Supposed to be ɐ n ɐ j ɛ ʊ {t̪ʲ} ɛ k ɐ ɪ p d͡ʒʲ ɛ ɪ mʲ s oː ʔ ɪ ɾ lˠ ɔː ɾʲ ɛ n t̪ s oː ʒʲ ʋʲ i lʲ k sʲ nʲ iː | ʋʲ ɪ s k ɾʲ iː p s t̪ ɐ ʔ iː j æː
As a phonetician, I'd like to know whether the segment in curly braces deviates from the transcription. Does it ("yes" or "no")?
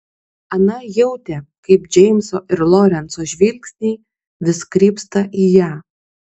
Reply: no